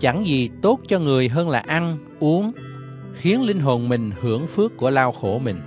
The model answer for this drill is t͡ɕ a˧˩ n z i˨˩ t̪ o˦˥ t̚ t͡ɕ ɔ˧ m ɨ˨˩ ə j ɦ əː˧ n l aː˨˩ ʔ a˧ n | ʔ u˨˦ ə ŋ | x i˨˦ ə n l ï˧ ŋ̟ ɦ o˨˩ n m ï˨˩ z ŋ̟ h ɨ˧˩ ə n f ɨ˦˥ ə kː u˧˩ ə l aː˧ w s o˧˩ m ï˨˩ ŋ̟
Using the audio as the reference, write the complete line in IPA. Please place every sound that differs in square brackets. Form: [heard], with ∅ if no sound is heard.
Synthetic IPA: t͡ɕ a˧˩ [ŋ] z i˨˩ t̪ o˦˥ t̚ t͡ɕ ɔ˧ [ŋ] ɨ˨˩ ə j ɦ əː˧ n l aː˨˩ ʔ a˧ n | ʔ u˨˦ ə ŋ | x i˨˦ ə n l ï˧ ŋ̟ ɦ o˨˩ n m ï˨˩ [∅] ŋ̟ h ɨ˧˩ ə [ŋ] f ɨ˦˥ ə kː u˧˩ ə l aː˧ w [x] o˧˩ m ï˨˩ ŋ̟